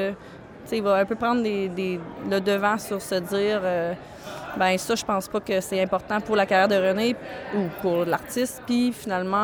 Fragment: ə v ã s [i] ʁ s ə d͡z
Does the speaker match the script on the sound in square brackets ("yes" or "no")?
no